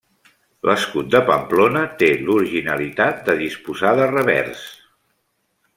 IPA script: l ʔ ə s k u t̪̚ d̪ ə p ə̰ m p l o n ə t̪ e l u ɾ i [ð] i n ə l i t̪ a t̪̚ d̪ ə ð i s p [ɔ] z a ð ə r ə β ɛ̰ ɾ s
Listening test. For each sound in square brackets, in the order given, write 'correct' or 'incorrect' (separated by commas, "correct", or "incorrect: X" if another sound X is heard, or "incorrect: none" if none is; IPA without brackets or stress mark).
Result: incorrect: ʒ, incorrect: u